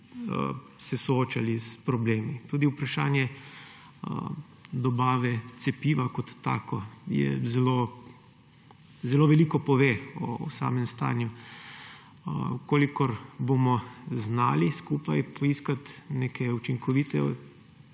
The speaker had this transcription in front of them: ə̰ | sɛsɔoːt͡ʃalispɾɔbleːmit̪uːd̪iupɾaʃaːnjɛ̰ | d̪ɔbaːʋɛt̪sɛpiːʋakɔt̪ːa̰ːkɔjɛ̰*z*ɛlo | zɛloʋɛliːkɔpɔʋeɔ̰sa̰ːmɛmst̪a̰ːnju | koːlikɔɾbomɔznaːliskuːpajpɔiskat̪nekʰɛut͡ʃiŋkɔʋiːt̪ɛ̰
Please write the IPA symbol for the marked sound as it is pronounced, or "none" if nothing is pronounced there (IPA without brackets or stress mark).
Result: z